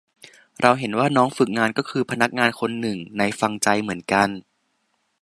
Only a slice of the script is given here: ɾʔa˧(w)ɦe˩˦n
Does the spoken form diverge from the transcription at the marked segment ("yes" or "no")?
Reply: no